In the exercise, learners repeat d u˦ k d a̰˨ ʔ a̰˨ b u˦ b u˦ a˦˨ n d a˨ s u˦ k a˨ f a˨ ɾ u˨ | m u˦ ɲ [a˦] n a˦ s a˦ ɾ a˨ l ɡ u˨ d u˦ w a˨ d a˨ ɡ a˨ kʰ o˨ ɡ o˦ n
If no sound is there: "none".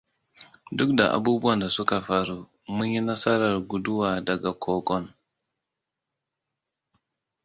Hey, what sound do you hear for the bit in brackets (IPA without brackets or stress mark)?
i˦